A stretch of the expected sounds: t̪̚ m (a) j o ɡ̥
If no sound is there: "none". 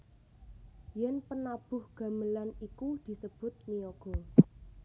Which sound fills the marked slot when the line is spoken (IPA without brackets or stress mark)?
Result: i